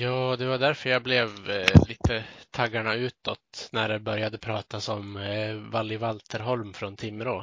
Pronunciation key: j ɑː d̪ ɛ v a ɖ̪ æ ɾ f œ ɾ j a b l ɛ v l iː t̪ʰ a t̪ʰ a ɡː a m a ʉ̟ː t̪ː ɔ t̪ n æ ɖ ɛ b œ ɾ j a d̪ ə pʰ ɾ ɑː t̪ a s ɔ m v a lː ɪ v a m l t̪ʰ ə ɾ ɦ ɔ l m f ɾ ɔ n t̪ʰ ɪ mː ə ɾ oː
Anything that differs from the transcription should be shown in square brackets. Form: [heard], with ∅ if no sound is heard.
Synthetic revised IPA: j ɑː d̪ ɛ v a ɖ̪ æ ɾ f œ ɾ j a b l ɛ v l iː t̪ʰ [ə] t̪ʰ a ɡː a [ɳ] a ʉ̟ː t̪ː ɔ t̪ n æ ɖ ɛ b œ ɾ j a d̪ ə pʰ ɾ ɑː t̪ a s ɔ m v a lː ɪ v a [∅] l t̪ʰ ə ɾ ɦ ɔ l m f ɾ ɔ n t̪ʰ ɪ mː ə ɾ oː